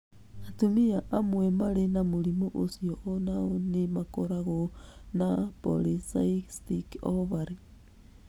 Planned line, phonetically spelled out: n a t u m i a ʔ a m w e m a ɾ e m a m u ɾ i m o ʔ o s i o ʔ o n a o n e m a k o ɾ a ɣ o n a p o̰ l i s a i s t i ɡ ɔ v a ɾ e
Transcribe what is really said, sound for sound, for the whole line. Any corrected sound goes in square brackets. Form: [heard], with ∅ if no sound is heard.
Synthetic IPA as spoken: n a t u m i a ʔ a m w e m a ɾ e [n] a m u ɾ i m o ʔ o s i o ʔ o n a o n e m a k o ɾ a ɣ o n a p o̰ l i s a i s t i [k] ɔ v a ɾ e